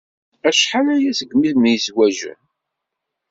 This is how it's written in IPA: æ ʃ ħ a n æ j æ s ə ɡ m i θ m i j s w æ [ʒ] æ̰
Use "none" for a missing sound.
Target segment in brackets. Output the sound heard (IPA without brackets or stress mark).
ʒ